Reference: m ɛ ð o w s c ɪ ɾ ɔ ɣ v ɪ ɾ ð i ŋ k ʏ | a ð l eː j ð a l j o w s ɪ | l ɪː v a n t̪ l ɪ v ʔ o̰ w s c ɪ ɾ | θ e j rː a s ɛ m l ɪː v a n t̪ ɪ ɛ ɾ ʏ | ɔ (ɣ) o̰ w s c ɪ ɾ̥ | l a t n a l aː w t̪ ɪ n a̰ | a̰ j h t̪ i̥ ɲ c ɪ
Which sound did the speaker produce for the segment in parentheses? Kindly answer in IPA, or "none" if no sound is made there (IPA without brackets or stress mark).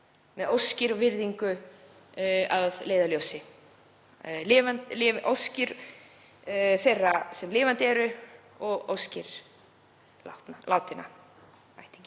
ɣ